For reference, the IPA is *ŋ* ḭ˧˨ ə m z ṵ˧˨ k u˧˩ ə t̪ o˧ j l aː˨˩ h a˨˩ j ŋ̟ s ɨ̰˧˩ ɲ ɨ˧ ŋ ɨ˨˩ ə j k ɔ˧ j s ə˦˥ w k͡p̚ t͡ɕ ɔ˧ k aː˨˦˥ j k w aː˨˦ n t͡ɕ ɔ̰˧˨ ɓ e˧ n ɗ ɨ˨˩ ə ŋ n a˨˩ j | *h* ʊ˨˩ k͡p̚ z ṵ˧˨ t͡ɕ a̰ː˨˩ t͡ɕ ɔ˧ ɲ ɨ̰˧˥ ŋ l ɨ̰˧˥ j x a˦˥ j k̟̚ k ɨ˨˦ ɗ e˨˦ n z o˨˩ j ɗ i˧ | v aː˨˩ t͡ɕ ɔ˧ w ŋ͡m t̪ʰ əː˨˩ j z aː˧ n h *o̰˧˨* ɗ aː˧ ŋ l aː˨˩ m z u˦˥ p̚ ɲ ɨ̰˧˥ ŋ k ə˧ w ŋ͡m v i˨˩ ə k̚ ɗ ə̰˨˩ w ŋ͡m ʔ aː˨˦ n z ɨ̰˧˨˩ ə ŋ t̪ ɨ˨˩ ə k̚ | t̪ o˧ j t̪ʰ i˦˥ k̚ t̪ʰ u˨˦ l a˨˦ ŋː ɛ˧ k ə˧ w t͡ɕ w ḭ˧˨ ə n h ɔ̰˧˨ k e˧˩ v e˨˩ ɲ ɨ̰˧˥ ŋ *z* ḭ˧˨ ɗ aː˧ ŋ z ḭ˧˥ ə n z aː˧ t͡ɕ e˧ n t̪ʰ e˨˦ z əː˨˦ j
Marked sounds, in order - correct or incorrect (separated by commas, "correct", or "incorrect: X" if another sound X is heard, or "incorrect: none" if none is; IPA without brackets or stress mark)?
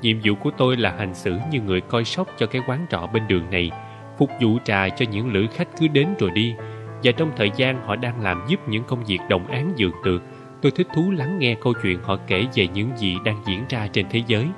incorrect: ɲ, incorrect: f, incorrect: ɔ̰˧˨, correct